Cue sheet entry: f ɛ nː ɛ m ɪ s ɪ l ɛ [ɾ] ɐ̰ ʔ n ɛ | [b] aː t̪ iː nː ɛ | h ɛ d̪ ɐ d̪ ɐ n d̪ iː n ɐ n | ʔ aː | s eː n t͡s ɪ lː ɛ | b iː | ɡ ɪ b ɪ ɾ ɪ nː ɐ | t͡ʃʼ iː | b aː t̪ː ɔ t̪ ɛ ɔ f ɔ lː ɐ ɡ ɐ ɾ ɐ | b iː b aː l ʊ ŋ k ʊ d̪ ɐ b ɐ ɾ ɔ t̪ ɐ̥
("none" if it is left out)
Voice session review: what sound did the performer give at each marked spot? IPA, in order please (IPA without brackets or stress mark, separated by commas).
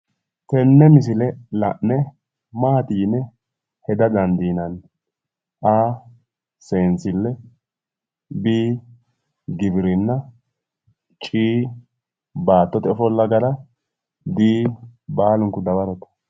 l, m